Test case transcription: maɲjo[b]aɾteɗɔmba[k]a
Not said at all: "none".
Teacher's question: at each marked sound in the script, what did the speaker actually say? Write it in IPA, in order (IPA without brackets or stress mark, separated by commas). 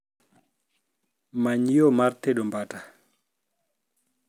m, t